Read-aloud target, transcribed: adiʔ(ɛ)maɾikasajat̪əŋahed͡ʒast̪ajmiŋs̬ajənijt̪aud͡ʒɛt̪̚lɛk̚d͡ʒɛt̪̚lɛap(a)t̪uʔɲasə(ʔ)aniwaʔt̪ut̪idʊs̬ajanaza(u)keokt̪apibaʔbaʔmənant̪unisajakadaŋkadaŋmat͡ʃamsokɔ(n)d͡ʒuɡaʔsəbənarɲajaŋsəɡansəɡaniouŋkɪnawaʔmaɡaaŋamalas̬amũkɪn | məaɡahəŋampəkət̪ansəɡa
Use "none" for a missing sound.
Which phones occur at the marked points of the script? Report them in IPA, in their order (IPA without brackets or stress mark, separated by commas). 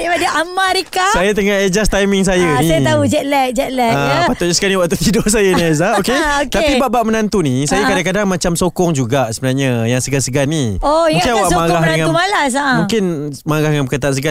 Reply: a, a, k, o, ŋ